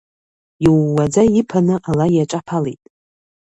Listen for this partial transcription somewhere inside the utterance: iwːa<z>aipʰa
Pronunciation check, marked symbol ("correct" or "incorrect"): incorrect